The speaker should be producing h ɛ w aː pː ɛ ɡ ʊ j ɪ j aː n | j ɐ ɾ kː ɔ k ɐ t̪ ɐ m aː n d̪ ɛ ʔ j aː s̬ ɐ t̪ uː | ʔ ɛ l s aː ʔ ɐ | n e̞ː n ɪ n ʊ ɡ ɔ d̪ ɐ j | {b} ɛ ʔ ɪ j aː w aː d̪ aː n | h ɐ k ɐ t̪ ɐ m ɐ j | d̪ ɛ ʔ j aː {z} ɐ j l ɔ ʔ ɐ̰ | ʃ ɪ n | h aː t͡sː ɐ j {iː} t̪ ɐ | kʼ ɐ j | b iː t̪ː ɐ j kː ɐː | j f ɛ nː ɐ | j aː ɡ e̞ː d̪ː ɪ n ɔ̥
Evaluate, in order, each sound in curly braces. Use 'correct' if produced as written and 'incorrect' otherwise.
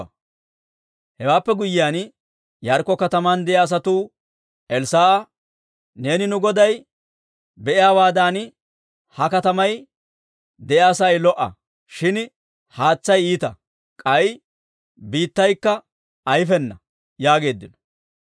correct, incorrect: s, correct

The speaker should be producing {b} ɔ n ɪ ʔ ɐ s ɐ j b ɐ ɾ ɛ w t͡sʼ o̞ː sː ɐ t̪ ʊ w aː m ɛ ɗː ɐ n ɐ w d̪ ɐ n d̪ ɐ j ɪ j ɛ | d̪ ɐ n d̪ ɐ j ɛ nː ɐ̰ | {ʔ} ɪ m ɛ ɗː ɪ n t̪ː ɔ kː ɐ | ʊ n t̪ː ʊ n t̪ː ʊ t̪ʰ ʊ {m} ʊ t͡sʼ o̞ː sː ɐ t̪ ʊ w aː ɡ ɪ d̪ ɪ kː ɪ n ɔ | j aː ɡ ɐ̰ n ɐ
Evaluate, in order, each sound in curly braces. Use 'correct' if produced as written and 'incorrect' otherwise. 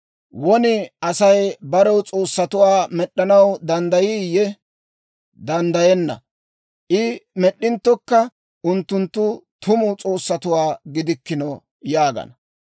incorrect: w, correct, correct

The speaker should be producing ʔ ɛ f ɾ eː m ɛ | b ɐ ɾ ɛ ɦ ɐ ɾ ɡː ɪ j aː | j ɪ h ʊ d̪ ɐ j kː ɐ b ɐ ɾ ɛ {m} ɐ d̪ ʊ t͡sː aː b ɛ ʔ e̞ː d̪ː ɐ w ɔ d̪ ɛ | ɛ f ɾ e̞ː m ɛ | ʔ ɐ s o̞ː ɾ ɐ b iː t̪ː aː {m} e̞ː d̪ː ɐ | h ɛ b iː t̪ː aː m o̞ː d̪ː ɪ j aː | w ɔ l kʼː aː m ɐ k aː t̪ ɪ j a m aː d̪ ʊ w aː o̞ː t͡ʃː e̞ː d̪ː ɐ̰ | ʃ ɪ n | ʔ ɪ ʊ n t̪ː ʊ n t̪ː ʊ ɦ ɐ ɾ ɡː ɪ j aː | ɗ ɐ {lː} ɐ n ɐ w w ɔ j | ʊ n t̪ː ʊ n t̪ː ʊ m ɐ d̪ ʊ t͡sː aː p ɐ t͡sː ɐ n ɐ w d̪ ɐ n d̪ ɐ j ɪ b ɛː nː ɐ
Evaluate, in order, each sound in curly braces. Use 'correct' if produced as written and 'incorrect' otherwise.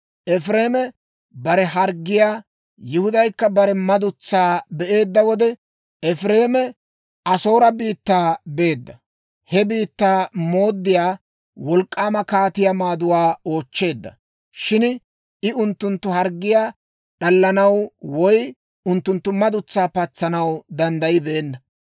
correct, incorrect: b, correct

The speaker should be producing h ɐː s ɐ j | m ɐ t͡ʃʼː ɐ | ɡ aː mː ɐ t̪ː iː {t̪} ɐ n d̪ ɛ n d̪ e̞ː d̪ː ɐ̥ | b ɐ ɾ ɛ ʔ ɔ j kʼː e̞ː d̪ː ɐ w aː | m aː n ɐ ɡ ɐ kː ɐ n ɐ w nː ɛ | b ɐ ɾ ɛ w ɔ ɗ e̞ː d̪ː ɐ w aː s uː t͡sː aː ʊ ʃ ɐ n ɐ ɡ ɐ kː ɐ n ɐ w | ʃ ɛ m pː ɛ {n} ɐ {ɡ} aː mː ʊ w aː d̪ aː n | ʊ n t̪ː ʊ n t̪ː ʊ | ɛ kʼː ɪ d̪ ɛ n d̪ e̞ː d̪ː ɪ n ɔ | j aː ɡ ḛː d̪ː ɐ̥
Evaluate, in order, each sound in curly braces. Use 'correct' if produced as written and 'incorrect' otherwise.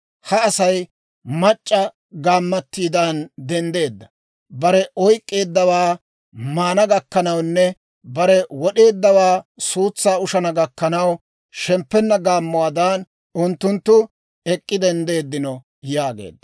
incorrect: d̪, incorrect: nː, correct

